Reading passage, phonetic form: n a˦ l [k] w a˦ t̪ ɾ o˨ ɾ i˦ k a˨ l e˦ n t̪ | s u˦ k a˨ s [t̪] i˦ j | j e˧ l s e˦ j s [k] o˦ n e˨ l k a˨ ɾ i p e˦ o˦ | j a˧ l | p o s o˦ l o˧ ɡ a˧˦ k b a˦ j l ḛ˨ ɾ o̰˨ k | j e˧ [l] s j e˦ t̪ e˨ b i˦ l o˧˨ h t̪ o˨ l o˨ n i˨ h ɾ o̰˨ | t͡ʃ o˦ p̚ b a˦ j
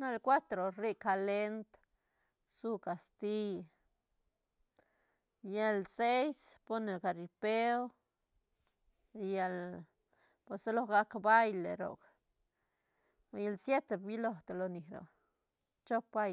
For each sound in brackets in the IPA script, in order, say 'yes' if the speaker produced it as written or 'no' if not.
yes, yes, no, yes

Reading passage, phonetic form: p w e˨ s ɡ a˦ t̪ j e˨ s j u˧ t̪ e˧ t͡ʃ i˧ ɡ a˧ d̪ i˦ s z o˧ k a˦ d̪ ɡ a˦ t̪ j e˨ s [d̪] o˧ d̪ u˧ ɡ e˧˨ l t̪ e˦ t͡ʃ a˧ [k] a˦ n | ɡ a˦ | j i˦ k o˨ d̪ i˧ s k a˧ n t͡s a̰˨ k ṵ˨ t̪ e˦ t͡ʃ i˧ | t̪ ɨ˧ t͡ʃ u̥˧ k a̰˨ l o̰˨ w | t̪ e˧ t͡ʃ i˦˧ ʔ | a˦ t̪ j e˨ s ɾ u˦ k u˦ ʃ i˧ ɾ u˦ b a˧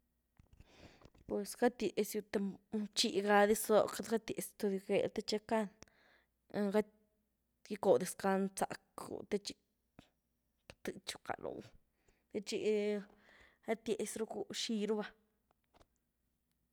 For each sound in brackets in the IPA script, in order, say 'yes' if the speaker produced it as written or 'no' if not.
no, yes

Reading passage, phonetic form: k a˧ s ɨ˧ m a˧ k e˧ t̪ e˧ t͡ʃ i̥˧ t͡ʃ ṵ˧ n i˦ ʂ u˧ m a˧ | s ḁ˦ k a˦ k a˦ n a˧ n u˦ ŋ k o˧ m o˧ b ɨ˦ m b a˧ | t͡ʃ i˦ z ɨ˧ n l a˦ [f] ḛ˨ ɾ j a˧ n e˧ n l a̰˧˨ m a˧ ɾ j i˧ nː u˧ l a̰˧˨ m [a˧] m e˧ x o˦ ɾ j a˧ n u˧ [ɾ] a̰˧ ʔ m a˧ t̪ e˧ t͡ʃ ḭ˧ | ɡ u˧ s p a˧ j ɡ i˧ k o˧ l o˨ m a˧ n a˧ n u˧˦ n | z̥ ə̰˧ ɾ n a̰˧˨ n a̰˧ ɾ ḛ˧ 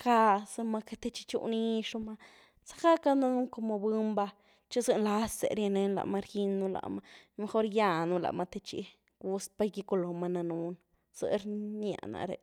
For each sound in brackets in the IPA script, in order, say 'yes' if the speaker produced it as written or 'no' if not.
no, yes, no

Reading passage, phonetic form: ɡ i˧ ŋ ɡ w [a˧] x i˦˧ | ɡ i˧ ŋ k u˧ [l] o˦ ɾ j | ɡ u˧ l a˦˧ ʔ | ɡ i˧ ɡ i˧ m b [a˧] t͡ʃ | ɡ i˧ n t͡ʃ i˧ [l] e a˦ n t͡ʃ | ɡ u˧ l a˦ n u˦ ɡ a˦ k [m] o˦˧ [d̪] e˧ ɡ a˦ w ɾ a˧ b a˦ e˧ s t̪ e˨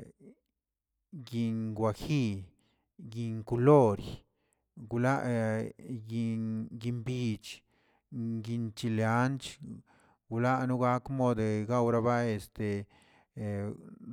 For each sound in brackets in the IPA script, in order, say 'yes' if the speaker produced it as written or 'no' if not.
yes, yes, no, yes, yes, yes

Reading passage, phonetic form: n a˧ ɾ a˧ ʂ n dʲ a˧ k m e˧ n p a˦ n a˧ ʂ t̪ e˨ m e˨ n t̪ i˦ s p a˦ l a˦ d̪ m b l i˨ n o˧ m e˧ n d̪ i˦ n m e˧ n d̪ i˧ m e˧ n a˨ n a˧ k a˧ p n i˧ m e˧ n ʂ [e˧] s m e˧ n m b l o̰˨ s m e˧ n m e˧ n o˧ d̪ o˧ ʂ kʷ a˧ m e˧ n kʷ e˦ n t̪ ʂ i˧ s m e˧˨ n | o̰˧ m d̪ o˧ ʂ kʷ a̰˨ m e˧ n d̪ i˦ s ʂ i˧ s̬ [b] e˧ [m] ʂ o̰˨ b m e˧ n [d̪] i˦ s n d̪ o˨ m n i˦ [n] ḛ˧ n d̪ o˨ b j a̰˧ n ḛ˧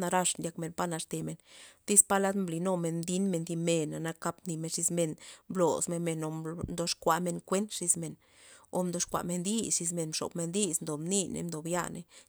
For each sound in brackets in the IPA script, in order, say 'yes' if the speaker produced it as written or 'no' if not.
no, no, no, yes, yes

